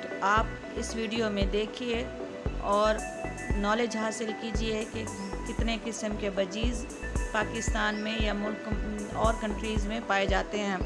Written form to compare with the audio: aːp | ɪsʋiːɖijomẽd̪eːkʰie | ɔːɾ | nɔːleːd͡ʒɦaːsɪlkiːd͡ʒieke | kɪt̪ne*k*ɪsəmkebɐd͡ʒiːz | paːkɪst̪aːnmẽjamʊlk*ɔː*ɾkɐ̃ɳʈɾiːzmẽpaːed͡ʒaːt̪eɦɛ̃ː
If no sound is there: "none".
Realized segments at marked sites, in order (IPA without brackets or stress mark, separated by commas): k, ɔː